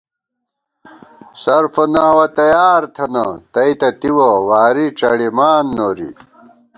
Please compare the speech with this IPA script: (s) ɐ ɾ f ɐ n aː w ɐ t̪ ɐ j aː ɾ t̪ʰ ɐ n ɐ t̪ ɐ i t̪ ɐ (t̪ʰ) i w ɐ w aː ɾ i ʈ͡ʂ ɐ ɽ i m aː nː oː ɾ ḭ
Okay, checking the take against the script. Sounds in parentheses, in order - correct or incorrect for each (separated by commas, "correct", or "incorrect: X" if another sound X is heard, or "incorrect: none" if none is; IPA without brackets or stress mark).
correct, incorrect: t̪